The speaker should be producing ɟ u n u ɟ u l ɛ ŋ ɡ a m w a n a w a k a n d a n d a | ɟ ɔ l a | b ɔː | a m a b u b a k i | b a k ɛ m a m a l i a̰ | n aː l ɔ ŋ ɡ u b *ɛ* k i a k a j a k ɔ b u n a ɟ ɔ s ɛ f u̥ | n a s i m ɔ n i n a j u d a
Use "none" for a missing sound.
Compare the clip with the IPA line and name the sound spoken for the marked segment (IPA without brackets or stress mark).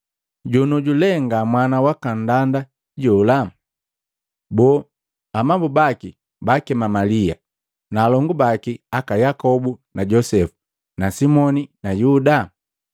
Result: a